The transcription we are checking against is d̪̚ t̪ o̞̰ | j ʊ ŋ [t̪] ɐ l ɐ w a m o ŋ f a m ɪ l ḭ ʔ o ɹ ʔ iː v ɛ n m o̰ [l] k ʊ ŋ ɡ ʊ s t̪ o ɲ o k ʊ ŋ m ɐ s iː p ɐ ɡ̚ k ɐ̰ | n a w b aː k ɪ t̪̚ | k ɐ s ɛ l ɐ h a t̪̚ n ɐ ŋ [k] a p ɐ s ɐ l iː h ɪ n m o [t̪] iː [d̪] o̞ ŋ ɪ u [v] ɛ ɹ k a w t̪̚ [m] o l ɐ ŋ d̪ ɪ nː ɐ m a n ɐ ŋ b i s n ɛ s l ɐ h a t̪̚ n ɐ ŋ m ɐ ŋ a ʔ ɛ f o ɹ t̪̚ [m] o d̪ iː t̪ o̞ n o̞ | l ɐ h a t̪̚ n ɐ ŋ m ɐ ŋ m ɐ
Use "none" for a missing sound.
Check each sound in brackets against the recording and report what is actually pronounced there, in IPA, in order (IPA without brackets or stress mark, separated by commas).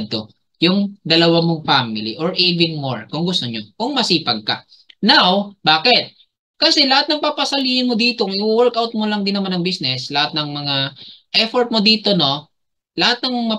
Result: d̪, ɹ, p, d̪, t̪, w, m, m